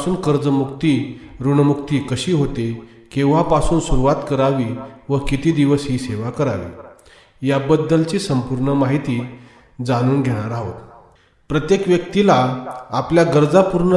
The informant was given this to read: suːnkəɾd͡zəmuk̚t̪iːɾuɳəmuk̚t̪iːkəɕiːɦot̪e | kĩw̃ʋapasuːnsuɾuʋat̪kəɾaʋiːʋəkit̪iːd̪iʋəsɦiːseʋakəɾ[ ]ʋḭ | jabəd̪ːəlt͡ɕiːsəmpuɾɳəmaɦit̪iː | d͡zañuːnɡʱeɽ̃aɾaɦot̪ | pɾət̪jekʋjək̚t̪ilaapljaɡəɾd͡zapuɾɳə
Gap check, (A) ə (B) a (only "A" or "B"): B